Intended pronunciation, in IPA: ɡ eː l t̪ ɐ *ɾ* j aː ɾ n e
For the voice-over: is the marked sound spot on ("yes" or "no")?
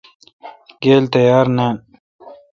no